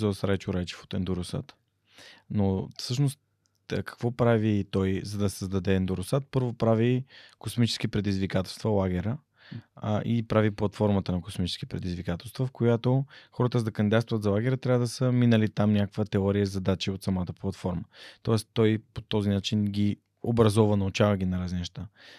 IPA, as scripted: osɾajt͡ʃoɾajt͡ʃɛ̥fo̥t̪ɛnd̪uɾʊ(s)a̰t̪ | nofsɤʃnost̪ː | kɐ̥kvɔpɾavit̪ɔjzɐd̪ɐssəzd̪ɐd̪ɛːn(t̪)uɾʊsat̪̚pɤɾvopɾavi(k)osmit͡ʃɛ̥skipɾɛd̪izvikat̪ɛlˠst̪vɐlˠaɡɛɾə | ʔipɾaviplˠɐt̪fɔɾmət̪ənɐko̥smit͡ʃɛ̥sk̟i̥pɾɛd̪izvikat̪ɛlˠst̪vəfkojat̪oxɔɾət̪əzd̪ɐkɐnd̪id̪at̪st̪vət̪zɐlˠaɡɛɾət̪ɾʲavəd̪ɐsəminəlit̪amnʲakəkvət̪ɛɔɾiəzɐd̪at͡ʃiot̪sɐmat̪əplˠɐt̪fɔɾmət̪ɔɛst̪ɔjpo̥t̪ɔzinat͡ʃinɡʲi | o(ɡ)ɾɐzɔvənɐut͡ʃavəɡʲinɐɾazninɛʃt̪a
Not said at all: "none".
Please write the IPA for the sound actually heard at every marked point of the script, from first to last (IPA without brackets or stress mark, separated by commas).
s, d̪, k, b